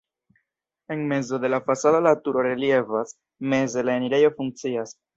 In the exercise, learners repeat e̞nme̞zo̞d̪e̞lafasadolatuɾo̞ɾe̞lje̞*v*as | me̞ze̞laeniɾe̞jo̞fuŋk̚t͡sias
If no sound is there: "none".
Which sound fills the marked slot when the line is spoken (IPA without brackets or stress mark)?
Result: v